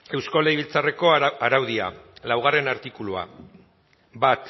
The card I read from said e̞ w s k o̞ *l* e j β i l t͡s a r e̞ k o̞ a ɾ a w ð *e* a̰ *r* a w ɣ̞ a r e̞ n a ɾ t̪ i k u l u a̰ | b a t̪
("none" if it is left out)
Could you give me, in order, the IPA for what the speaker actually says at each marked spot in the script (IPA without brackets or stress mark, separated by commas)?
l, i, l